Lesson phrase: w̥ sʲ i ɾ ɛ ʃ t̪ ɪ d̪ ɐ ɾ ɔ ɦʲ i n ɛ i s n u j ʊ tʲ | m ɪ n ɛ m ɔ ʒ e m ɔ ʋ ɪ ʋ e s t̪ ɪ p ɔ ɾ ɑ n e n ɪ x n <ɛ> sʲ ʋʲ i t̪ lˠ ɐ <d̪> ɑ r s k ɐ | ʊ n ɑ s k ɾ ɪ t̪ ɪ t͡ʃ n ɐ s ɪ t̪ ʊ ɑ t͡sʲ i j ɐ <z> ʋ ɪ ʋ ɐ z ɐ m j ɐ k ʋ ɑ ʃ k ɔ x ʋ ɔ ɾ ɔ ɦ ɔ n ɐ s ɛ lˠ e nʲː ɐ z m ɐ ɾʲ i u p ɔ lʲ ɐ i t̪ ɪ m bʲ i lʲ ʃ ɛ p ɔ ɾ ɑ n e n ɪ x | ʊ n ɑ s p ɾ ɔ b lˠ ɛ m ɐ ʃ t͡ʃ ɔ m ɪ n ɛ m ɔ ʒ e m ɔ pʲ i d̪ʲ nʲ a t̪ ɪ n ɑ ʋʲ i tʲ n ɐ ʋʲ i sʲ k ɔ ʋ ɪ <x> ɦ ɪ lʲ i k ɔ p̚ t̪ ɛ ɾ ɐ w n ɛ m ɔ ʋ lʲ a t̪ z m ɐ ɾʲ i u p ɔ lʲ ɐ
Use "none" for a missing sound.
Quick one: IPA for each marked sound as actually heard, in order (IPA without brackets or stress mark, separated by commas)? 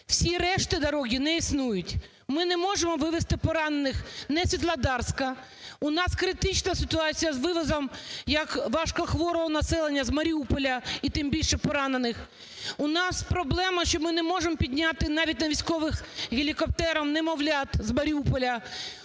ɛ, d̪, z, x